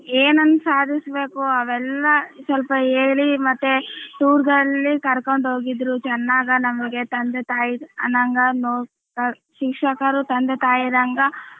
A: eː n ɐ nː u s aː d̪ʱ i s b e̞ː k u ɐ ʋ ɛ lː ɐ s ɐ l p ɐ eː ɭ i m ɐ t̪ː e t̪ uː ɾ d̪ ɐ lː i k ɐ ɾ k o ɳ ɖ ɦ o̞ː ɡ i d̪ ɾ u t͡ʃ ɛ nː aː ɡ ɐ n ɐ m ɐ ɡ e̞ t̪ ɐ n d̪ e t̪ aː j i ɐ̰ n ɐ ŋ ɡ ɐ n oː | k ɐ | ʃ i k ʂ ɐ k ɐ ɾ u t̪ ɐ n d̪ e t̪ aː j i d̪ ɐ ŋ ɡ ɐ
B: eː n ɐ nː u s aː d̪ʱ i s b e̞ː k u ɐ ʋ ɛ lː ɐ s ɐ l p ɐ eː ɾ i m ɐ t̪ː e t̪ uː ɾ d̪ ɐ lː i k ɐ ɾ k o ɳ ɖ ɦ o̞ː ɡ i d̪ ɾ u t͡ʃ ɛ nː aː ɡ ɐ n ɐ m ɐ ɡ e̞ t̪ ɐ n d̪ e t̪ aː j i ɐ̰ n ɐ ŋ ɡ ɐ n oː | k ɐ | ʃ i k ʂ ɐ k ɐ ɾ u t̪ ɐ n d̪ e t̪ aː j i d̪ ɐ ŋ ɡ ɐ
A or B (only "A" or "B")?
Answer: A